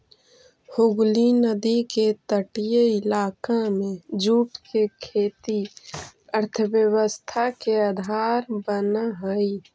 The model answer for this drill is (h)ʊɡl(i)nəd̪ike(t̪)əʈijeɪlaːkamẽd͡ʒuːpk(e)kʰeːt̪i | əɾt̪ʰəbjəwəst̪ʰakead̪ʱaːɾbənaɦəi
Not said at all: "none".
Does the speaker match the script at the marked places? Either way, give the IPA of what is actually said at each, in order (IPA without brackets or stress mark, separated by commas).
h, i, t̪, e